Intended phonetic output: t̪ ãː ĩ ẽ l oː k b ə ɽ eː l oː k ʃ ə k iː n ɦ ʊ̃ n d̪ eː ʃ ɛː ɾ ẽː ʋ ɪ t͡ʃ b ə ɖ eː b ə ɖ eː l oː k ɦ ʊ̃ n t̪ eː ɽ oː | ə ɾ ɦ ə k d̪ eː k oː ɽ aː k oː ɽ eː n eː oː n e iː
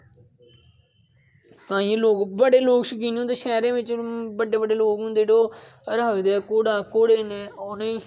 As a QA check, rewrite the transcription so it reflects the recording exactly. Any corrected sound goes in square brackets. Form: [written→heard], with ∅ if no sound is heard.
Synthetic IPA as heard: t̪ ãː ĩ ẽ l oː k b ə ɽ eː l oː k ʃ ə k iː n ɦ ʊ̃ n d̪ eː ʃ ɛː ɾ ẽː ʋ ɪ t͡ʃ b ə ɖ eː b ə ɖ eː l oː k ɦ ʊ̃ n [t̪→d̪] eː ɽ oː | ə ɾ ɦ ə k d̪ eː k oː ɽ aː k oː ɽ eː n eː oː n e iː